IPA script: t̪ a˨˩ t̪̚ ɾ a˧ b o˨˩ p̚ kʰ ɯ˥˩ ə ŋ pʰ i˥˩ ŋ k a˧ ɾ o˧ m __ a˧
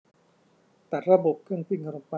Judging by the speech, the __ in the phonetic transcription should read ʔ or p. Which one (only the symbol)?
p